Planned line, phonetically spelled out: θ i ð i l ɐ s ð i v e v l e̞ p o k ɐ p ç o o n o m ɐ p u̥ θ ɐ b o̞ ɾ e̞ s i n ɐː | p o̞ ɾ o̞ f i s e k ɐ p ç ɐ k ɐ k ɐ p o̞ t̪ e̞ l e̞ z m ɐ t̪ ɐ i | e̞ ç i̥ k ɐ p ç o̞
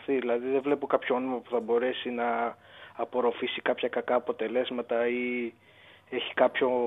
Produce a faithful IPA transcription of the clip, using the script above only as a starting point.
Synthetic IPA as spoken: θ i ð i l ɐ ð i ð e v l e̞ p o k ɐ p ç o o n o m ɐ p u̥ θ ɐ b o̞ ɾ e̞ s i n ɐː | p o̞ ɾ o̞ f i s i k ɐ p ç ɐ k ɐ k ɐː p o̞ t̪ e̞ l e̞ z m ɐ t̪ ɐ i | e̞ ç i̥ k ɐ p ç o̞